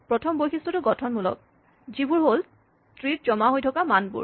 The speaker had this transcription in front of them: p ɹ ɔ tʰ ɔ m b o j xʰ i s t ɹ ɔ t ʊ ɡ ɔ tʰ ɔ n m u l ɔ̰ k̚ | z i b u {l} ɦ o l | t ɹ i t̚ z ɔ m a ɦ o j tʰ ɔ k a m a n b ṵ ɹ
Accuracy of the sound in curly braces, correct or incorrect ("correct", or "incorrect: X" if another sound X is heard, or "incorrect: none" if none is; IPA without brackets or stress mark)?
incorrect: ɹ